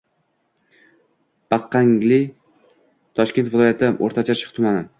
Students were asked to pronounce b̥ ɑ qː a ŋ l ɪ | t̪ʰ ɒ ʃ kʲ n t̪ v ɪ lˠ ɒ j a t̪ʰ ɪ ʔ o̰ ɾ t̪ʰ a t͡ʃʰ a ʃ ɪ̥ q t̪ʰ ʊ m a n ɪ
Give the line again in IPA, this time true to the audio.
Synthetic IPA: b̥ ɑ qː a ŋ l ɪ | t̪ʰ ɒ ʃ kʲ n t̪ v ɪ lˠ ɒ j a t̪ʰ ɪ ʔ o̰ ɾ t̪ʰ a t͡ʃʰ a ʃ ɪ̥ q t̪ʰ ʊ m a n ɪ